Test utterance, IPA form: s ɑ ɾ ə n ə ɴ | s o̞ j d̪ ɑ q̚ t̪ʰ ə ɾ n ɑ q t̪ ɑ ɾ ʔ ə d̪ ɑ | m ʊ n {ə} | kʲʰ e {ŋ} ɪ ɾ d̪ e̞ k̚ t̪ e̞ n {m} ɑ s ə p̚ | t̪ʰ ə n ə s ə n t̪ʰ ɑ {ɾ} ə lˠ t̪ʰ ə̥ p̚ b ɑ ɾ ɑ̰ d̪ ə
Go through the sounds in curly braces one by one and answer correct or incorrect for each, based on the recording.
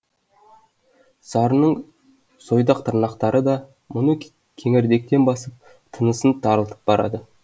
correct, correct, incorrect: b, correct

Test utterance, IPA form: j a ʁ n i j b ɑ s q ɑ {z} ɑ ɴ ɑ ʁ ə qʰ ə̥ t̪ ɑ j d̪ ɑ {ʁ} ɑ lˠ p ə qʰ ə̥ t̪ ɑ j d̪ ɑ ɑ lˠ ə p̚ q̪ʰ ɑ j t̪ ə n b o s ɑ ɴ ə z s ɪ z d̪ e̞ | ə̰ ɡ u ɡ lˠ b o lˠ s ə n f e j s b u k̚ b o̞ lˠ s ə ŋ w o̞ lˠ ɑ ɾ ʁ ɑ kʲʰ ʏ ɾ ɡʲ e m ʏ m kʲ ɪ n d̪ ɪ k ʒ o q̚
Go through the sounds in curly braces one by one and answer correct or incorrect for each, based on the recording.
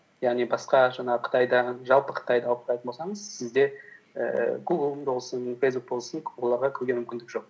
incorrect: ʒ, incorrect: ʒ

